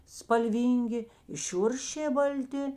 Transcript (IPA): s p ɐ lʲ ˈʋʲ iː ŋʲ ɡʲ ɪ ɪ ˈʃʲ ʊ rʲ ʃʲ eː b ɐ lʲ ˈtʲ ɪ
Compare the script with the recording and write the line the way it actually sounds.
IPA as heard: s p ɐ lʲ ˈʋʲ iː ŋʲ ɡʲ ɪ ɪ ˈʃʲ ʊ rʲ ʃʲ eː b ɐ lʲ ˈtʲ ɪ